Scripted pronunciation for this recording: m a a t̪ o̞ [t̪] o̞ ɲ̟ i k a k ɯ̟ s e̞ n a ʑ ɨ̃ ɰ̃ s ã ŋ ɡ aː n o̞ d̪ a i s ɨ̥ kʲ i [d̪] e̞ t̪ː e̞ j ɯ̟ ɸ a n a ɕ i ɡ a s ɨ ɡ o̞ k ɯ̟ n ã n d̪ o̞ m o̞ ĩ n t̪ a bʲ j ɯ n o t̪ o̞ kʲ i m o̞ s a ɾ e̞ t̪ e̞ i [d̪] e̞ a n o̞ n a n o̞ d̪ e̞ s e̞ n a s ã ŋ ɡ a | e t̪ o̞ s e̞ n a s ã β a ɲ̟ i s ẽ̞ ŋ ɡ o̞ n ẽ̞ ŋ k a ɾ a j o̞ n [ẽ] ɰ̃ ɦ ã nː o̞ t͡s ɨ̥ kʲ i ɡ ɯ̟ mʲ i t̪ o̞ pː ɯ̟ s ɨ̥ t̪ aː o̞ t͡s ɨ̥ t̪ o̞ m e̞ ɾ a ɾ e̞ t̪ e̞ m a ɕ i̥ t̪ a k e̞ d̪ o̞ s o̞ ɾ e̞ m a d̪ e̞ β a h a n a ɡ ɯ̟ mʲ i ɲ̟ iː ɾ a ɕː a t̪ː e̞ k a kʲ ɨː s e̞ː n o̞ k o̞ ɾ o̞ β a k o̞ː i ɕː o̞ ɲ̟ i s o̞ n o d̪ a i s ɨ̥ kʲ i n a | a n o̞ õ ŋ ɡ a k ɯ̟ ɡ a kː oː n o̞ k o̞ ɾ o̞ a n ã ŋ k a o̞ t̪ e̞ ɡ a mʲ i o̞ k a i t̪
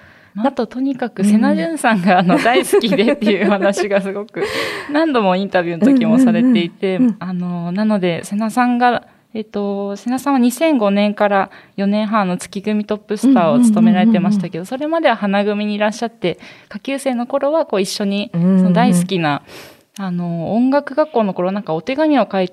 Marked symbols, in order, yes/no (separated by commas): yes, yes, no, yes